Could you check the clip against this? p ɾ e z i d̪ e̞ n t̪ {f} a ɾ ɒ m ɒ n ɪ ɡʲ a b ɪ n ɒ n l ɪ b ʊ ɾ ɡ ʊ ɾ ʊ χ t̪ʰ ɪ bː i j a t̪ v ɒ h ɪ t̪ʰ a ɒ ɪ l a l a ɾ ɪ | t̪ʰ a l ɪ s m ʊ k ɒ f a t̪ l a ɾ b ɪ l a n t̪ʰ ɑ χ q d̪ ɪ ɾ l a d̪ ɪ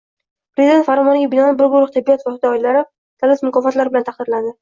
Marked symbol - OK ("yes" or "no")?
yes